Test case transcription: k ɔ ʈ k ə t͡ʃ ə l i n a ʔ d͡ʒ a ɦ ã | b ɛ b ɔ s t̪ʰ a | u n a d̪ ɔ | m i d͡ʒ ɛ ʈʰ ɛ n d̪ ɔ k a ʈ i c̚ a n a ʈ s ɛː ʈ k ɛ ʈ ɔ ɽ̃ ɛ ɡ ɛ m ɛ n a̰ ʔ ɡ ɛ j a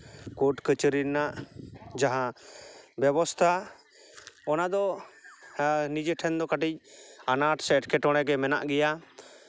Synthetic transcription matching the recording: k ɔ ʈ k ə t͡ʃ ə ɾ i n a ʔ d͡ʒ a ɦ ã | b ɛ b ɔ s t̪ʰ a | ɔ n a d̪ ɔ | n i d͡ʒ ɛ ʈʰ ɛ n d̪ ɔ k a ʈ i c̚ a n a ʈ s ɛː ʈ k ɛ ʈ ɔ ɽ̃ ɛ ɡ ɛ m ɛ n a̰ ʔ ɡ ɛ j a